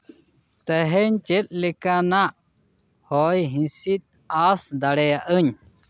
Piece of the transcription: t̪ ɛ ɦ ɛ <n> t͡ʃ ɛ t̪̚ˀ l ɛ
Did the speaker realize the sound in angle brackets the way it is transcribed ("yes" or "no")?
no